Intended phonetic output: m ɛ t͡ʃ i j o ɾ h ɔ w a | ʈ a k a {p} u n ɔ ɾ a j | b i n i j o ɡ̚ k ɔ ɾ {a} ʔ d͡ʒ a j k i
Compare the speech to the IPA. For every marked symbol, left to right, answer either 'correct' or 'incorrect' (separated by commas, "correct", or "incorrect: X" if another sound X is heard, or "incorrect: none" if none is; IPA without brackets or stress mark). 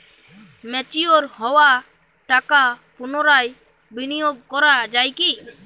correct, correct